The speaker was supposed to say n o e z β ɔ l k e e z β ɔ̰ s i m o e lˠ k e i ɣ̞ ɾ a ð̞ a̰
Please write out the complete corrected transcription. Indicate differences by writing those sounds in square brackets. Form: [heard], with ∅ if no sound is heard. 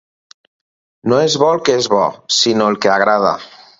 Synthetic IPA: n o e z β ɔ l k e e z β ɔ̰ s i [n] o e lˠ k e [a] ɣ̞ ɾ a ð̞ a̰